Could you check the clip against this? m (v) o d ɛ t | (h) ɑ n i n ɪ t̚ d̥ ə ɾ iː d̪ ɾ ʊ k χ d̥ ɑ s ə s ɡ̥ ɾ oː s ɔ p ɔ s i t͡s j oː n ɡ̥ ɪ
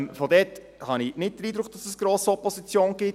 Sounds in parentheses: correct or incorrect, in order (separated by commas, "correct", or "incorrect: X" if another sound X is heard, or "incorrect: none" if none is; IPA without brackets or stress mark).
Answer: incorrect: f, correct